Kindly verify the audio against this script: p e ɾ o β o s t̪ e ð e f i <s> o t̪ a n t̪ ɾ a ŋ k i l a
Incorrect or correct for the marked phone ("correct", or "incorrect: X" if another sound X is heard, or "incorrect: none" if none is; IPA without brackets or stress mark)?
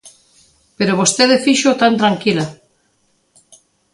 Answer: incorrect: ʃ